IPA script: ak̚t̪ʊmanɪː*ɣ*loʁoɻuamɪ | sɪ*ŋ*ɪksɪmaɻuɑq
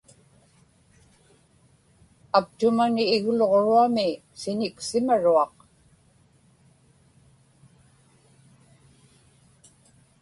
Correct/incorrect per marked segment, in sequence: correct, incorrect: ɲ

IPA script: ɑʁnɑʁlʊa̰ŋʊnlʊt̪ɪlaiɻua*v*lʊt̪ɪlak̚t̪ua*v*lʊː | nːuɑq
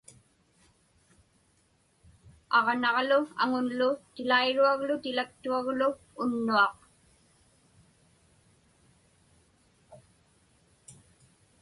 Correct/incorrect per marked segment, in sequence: incorrect: ɣ, incorrect: ɣ

